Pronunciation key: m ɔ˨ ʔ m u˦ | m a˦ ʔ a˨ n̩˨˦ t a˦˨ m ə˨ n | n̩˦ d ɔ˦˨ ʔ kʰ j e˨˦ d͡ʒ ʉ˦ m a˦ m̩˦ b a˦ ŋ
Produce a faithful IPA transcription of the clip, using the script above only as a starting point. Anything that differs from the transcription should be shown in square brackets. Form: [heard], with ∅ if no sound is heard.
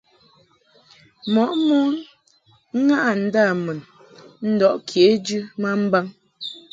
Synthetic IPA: m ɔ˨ ʔ m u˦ | [ŋ] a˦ ʔ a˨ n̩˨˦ [d] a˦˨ m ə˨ n | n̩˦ d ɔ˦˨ ʔ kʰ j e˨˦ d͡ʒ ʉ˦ m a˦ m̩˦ b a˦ ŋ